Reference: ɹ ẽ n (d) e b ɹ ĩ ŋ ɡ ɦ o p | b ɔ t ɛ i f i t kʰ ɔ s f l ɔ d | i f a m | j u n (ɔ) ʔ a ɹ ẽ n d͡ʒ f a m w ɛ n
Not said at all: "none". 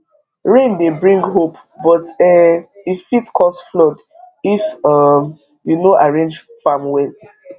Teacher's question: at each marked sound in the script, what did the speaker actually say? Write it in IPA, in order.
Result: d, o

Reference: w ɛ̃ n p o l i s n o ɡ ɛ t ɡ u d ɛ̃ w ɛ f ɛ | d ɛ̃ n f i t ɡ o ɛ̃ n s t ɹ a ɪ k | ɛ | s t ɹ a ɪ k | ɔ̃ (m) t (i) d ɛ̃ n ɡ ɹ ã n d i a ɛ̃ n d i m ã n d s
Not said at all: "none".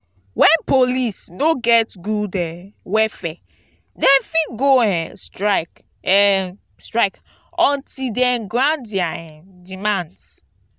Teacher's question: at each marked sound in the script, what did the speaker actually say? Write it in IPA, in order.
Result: n, i

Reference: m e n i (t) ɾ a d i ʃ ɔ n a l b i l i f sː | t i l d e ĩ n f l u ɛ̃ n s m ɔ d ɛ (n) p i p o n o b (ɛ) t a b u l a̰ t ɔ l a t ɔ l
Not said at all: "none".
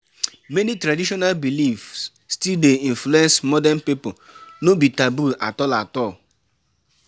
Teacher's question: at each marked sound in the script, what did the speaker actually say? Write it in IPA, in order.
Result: t, n, i

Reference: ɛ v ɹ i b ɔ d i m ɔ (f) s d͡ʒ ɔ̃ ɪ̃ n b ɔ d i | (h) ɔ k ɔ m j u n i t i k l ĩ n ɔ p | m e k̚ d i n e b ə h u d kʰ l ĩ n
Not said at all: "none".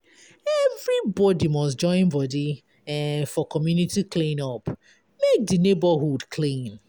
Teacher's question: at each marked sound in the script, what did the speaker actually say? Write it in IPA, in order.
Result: none, f

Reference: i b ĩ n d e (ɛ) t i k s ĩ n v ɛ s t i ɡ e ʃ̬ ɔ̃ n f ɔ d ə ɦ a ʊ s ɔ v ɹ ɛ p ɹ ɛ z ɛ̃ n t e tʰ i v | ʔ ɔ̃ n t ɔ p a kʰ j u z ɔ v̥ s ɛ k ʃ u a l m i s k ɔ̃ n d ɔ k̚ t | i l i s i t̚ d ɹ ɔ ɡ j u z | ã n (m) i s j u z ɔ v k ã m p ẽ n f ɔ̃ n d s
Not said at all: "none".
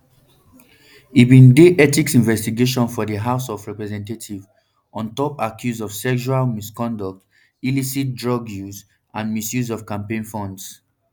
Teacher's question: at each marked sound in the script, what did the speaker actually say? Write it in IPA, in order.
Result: ɛ, m

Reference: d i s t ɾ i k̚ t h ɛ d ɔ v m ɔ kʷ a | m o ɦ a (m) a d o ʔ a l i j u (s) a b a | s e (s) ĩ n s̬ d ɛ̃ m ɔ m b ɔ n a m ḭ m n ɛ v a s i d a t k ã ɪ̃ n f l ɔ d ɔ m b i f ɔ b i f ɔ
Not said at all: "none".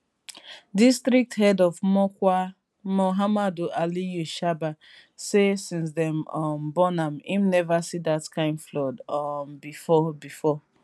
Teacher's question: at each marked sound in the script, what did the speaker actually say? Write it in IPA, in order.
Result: m, ʃ, s

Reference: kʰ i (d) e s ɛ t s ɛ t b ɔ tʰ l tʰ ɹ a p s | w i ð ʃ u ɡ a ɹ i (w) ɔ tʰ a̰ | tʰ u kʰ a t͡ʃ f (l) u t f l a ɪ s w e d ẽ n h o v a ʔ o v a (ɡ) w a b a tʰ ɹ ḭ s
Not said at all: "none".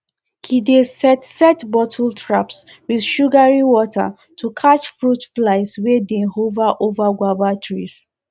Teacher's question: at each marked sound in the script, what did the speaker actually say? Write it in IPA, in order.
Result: d, w, ɹ, ɡ

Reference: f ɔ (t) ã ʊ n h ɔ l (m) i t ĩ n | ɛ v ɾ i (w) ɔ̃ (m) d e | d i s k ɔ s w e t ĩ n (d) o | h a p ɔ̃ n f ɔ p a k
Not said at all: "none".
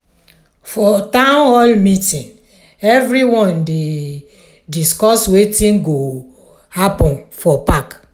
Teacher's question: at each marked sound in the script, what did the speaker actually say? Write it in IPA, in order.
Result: t, m, w, n, ɡ

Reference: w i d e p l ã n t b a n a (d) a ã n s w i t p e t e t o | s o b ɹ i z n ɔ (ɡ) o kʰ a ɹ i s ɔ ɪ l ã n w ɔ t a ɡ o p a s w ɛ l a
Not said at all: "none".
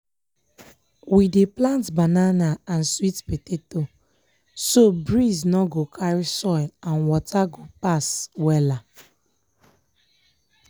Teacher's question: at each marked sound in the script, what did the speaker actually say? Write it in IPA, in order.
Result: n, ɡ

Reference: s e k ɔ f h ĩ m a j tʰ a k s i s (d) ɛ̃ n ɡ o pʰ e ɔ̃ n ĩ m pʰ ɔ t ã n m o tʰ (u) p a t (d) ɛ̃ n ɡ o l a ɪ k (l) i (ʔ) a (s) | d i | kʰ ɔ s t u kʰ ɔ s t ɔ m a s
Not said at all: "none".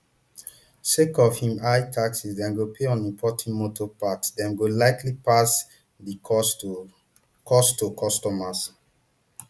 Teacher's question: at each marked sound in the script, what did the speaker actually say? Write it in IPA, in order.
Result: d, ɔ, d, l, p, s

